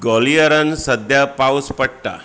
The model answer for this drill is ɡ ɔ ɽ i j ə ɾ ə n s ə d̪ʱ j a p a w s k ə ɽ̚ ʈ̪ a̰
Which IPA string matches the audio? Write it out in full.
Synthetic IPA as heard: ɡ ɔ l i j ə ɾ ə n s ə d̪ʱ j a p a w s p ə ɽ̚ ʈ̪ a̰